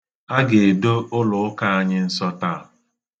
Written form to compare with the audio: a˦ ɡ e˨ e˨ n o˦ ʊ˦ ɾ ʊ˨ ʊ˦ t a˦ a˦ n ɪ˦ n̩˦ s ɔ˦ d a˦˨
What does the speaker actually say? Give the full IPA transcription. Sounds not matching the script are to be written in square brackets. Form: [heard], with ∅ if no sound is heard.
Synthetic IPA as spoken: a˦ ɡ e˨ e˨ [d] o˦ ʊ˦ [l] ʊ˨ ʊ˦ [k] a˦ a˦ [ɲ] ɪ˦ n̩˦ s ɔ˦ [t] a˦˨